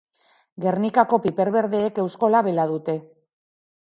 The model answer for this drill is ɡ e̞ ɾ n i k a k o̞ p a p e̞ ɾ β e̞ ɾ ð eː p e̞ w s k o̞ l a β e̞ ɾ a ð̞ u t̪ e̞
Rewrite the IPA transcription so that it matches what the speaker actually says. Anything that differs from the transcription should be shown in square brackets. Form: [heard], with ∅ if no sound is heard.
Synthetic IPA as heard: ɡ e̞ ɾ n i k a k o̞ p [i] p e̞ ɾ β e̞ ɾ ð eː [k] e̞ w s k o̞ l a β e̞ [l] a ð̞ u t̪ e̞

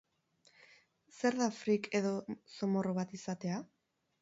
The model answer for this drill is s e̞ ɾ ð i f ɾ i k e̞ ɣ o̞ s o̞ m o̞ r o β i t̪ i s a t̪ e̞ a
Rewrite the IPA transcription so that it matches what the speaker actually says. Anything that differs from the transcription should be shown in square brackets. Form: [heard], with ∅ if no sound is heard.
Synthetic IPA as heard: s e̞ ɾ ð [a] f ɾ i k e̞ [ð] o̞ s o̞ m o̞ r o β [a] t̪ i s a t̪ e̞ a

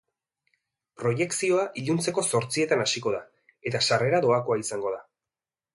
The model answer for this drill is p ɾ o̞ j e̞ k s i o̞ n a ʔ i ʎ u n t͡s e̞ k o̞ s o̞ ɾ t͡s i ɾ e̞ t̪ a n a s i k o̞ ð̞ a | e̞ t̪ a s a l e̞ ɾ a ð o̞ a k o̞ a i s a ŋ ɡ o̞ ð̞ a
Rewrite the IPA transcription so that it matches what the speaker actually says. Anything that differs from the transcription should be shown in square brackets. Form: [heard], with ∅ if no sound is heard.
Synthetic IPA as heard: p ɾ o̞ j e̞ k s i o̞ [∅] a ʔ i ʎ u n t͡s e̞ k o̞ s o̞ ɾ t͡s i [∅] e̞ t̪ a n a s i k o̞ ð̞ a | e̞ t̪ a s a [r] e̞ ɾ a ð o̞ a k o̞ a i s a ŋ ɡ o̞ ð̞ a

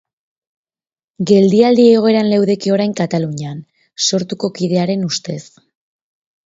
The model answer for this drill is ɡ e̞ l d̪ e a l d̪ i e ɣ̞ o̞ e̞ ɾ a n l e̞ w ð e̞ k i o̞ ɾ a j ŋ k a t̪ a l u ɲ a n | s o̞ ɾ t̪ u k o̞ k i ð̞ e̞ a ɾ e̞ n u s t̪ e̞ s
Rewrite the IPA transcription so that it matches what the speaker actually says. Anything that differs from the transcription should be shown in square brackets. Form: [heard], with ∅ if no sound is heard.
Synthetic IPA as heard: ɡ e̞ l d̪ [i] a l d̪ i e ɣ̞ o̞ e̞ ɾ a n l e̞ w ð e̞ k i o̞ ɾ a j ŋ k a t̪ a l u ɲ a n | s o̞ ɾ t̪ u k o̞ k i ð̞ e̞ a ɾ e̞ n u s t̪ e̞ s

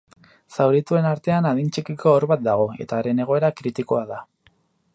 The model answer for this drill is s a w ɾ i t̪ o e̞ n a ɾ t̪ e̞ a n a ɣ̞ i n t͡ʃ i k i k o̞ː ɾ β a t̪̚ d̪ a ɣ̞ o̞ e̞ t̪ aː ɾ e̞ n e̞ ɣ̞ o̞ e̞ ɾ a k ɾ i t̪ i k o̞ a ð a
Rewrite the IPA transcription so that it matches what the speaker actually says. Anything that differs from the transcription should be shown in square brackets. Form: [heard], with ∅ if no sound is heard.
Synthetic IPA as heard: s a w ɾ i t̪ [u] e̞ n a ɾ t̪ e̞ a n a [ð̞] i n t͡ʃ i k i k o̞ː ɾ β a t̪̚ d̪ a ɣ̞ o̞ e̞ t̪ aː ɾ e̞ n e̞ ɣ̞ o̞ e̞ ɾ a k ɾ i t̪ i k o̞ a ð a

